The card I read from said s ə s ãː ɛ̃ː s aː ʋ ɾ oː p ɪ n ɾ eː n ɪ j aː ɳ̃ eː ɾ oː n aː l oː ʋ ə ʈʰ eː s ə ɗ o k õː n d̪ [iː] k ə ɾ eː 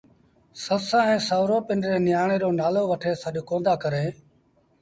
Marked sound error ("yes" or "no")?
yes